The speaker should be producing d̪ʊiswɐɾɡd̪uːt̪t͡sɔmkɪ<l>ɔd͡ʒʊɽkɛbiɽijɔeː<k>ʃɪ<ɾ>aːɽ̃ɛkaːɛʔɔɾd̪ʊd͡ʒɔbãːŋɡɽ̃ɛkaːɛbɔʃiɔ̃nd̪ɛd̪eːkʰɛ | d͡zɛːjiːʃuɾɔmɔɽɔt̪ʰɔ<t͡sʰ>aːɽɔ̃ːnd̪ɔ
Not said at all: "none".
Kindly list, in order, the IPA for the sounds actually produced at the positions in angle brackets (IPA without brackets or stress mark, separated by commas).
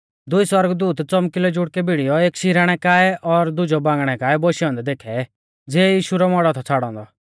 l, k, ɾ, t͡sʰ